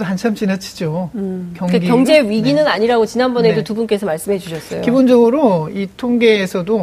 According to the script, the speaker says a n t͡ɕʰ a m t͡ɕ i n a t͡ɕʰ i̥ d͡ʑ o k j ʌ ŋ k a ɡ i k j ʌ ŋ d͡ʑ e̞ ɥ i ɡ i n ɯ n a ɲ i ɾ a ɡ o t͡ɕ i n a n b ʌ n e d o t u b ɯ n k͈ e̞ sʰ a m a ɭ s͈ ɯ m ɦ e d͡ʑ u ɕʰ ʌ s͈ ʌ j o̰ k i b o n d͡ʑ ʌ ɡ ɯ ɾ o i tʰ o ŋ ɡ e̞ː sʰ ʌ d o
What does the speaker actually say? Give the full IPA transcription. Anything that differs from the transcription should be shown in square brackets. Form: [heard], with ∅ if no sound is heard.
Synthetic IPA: a n t͡ɕʰ a m t͡ɕ i n a t͡ɕʰ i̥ d͡ʑ o k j ʌ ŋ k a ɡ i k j ʌ ŋ d͡ʑ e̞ ɥ i ɡ i n ɯ n a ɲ i ɾ a ɡ o t͡ɕ i n a n b ʌ n e d o t u b [u] n k͈ e̞ sʰ [ʌ] m a ɭ s͈ ɯ m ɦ e d͡ʑ u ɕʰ ʌ s͈ ʌ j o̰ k i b o n d͡ʑ ʌ ɡ ɯ ɾ o i tʰ o ŋ ɡ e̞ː sʰ ʌ d o